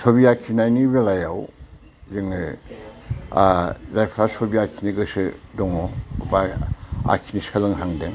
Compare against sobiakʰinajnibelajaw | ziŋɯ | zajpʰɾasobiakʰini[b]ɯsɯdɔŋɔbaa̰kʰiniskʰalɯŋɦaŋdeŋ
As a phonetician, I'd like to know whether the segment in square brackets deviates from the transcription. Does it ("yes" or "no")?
yes